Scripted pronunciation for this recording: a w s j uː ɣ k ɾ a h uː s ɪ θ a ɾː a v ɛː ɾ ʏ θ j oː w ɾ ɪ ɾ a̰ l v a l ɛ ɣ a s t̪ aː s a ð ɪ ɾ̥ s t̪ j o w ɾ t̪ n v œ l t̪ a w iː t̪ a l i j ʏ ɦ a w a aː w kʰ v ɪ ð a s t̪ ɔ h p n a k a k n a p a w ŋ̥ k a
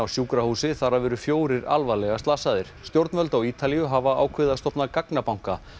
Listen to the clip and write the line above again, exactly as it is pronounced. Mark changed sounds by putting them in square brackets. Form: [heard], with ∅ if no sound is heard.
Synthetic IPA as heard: a w s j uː [∅] k ɾ a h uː s ɪ θ a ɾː a v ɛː ɾ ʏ [f] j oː w ɾ ɪ ɾ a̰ l v a l ɛ ɣ a s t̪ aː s a ð ɪ ɾ̥ s t̪ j o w ɾ t̪ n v œ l t̪ a w iː t̪ a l i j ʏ ɦ a [v] a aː w kʰ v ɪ ð a s t̪ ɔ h p n a k a k n a p a w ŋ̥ k a